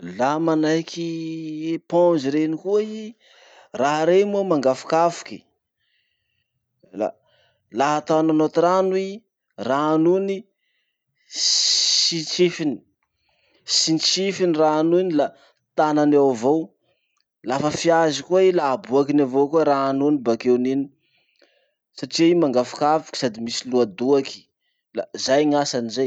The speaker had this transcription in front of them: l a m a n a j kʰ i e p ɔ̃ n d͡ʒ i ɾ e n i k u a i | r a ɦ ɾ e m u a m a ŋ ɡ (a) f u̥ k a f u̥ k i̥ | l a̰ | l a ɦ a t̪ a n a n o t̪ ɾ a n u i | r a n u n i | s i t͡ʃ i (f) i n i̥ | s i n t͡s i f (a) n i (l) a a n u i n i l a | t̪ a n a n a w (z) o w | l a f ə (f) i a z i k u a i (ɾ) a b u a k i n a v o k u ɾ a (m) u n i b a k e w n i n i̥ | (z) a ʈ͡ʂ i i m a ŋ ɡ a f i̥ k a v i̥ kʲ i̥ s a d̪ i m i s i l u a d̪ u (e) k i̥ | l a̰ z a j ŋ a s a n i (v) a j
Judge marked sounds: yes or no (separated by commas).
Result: yes, yes, no, no, no, yes, no, no, no, no, no